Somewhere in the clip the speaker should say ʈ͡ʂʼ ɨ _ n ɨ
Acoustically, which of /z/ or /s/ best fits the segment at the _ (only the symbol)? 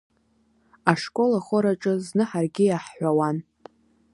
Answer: z